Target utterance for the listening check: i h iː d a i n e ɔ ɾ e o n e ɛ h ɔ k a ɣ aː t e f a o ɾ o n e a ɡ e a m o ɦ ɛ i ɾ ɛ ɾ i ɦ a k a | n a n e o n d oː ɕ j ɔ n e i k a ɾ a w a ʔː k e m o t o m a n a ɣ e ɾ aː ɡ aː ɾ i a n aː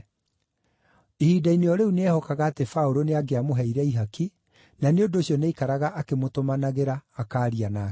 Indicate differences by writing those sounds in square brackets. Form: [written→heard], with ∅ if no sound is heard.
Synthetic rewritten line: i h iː d a i n e ɔ ɾ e [o→u] n e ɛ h ɔ k a ɣ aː t e f a o ɾ o n e a ɡ e a m o ɦ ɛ i ɾ ɛ [ɾ→∅] i ɦ a k [a→i] | n a n e o n d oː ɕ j ɔ n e i k a ɾ a [w→ɣ] a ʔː k e m o t o m a n a ɣ e ɾ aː [ɡ→k] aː ɾ i a n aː